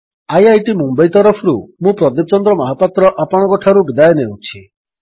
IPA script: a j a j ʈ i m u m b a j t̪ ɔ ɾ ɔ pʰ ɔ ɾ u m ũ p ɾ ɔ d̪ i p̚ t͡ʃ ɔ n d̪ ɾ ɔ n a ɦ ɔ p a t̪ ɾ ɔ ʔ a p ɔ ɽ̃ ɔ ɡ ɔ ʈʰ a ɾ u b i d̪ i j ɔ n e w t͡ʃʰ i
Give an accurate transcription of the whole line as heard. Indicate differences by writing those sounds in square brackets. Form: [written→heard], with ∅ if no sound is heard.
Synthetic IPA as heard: a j a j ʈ i m u m b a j t̪ ɔ ɾ ɔ pʰ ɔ ɾ u m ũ p ɾ ɔ d̪ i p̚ t͡ʃ ɔ n d̪ ɾ ɔ [n→m] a ɦ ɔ p a t̪ ɾ ɔ ʔ a p ɔ ɽ̃ ɔ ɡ ɔ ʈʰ a ɾ u b i d̪ [i→a] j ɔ n e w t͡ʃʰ i